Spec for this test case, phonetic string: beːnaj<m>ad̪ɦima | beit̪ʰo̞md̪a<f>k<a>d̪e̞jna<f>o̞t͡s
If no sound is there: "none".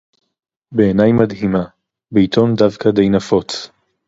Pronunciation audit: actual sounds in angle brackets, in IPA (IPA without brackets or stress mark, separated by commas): m, v, a, f